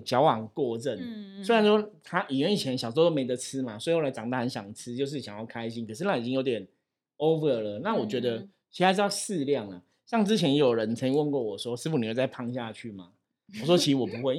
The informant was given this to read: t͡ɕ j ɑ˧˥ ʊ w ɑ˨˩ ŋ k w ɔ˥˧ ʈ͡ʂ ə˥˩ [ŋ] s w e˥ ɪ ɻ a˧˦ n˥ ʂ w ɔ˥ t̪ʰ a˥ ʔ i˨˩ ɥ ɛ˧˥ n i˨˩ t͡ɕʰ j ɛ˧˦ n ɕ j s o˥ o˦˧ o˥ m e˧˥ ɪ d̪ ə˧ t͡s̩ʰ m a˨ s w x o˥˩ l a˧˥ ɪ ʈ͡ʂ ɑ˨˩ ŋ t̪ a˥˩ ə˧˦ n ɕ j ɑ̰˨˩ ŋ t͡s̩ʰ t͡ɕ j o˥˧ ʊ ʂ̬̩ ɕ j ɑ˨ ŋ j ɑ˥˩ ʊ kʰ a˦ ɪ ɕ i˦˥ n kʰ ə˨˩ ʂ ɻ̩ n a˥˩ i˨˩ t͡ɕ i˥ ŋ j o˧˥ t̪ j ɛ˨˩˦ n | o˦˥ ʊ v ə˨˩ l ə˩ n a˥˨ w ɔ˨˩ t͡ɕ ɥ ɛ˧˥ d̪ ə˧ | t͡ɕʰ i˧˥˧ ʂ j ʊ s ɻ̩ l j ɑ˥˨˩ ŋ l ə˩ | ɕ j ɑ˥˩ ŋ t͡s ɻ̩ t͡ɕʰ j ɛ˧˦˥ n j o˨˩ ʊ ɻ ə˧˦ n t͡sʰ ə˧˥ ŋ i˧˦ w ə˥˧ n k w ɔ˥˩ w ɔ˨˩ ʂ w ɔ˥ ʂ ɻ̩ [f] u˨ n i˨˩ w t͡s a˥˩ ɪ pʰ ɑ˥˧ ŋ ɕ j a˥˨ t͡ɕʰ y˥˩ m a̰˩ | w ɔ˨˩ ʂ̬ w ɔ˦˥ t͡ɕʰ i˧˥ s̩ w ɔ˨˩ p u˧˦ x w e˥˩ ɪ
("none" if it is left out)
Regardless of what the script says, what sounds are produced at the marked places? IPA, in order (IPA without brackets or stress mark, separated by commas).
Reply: n, f